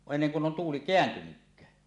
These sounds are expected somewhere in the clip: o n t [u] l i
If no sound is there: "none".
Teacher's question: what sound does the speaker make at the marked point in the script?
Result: uː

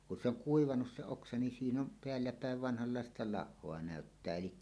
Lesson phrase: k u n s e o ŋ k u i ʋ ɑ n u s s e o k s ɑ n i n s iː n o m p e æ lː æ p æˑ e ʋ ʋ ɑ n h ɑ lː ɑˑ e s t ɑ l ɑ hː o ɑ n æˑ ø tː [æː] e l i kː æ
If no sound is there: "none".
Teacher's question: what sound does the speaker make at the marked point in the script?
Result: æː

